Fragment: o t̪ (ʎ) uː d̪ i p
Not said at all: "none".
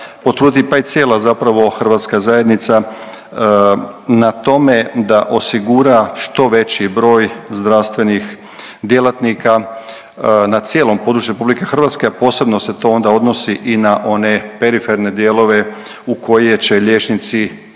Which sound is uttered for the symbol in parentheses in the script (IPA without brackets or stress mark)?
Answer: ɾ